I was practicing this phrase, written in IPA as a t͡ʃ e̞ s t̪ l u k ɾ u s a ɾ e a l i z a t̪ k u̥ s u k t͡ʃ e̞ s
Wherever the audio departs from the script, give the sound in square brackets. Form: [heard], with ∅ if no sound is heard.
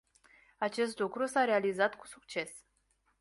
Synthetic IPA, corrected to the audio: a t͡ʃ e̞ s t̪ l u k ɾ u s a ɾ e a l i z a t̪ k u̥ s u k t͡ʃ e̞ s